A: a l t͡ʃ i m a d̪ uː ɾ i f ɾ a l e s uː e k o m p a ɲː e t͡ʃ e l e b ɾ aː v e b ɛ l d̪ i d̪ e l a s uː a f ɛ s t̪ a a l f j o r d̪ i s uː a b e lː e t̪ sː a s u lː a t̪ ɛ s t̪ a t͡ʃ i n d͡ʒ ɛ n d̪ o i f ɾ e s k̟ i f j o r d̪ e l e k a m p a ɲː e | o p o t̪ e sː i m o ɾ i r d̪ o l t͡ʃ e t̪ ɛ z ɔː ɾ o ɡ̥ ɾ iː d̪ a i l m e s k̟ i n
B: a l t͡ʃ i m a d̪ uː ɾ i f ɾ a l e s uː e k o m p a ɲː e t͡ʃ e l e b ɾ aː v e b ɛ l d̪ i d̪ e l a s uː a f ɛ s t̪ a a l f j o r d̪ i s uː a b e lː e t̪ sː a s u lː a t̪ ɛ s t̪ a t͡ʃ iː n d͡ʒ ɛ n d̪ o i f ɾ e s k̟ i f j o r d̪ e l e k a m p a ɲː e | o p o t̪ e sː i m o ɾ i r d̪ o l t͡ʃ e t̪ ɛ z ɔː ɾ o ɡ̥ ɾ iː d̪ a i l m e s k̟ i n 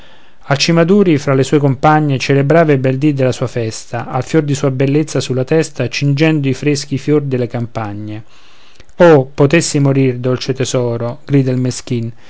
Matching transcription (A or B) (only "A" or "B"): A